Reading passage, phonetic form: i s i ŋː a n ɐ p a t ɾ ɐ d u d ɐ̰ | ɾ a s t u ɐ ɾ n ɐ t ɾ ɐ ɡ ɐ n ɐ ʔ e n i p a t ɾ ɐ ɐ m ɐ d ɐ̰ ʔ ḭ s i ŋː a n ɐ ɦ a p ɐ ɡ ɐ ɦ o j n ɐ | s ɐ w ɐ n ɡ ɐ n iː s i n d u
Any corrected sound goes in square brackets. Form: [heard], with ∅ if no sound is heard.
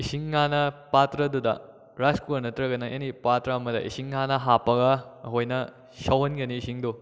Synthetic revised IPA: i s i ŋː a n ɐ p a t ɾ ɐ d u d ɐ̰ | ɾ a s [k] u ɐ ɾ n ɐ t ɾ ɐ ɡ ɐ n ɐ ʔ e n i p a t ɾ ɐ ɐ m ɐ d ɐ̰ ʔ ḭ s i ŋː a n ɐ ɦ a p ɐ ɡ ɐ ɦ o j n ɐ | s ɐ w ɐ n ɡ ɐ n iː s i [ŋ] d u